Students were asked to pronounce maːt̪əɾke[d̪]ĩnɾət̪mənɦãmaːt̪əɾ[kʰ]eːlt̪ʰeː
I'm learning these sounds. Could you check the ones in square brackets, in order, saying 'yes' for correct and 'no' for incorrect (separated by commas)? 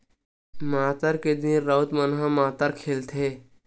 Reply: yes, yes